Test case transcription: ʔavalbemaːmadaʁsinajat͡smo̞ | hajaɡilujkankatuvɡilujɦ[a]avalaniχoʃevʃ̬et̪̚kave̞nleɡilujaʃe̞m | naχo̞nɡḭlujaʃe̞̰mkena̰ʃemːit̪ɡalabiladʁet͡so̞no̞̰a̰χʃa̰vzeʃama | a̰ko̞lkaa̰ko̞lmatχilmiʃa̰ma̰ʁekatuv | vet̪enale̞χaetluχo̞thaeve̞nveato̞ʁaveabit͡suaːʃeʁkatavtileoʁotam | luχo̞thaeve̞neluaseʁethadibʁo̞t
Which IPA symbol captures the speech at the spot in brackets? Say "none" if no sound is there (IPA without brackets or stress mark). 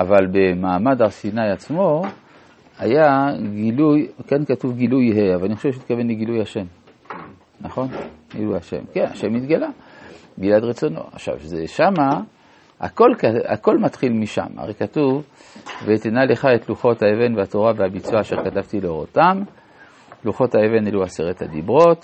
e